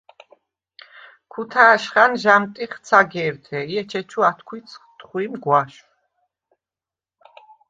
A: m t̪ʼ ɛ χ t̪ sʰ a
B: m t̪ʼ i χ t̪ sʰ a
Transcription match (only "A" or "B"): B